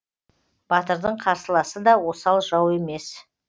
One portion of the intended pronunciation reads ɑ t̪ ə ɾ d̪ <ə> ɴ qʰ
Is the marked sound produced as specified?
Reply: yes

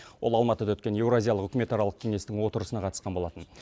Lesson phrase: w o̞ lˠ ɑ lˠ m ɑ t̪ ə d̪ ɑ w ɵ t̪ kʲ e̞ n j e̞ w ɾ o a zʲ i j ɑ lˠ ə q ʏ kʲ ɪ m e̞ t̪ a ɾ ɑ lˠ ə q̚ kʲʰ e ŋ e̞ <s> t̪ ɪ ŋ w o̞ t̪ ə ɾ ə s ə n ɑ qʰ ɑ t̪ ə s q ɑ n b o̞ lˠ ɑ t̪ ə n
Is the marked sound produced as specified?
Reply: yes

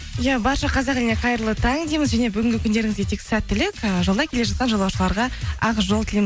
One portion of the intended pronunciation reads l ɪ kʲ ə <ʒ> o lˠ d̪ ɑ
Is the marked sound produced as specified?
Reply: yes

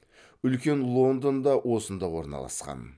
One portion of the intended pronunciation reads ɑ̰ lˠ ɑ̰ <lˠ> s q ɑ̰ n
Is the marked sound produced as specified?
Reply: no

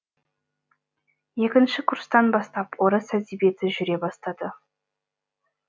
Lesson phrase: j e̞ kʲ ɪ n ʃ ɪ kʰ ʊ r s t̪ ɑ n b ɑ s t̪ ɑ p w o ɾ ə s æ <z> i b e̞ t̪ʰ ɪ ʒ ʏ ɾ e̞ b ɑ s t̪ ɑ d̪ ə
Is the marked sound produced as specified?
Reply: yes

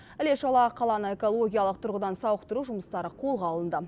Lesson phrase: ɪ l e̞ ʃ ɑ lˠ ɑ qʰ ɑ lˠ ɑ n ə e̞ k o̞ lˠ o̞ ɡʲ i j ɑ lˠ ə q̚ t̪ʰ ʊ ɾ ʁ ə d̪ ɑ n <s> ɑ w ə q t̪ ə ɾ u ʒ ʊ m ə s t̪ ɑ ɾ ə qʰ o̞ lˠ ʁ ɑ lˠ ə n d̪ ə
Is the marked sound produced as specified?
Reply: yes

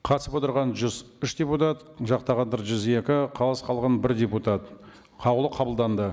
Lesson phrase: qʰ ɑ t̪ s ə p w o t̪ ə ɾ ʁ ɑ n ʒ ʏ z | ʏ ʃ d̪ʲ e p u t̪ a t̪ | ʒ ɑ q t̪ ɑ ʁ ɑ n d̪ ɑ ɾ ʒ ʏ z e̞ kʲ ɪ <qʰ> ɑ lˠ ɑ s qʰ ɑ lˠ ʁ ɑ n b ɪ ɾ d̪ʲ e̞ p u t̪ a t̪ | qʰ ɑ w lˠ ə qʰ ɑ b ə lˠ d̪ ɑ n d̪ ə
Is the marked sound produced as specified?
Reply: yes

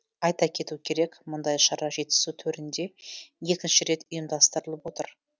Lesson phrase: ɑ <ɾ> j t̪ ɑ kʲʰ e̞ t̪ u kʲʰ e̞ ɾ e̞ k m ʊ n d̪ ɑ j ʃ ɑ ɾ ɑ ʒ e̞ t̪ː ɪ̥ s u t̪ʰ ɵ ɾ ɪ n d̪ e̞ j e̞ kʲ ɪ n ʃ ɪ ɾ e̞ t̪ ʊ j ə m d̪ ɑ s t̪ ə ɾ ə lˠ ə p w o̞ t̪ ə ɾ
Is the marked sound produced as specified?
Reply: no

